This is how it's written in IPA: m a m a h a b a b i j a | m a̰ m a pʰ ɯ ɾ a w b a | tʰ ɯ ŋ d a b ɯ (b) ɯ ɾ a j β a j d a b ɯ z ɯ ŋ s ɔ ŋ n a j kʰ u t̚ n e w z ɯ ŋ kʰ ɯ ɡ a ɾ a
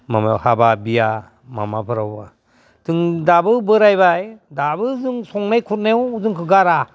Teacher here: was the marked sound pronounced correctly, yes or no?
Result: yes